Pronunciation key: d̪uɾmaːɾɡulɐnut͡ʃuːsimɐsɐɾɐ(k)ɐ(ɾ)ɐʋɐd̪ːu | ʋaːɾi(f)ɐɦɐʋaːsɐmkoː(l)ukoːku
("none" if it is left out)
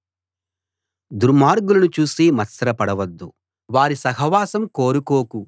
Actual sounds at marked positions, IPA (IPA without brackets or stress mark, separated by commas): p, ɽ, s, ɾ